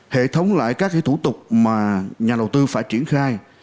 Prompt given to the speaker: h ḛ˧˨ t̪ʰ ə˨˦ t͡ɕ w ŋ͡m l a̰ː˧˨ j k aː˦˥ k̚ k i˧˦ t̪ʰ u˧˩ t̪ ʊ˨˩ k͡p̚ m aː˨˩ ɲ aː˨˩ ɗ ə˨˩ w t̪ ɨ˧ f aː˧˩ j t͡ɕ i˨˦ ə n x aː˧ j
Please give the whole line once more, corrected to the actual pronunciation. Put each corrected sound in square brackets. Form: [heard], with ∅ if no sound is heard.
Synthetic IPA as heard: h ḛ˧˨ t̪ʰ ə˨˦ [∅] w ŋ͡m l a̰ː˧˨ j k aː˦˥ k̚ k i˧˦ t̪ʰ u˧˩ t̪ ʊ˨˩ k͡p̚ m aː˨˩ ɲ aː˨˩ ɗ ə˨˩ w t̪ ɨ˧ f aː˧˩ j t͡ɕ [i˧˩] ə n x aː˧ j